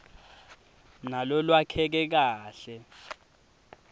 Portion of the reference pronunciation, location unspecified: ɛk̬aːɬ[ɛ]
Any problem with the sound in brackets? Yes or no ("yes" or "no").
no